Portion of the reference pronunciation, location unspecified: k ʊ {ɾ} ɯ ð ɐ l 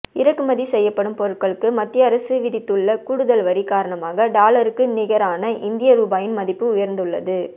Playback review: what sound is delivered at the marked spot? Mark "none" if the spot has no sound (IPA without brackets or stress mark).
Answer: ɽ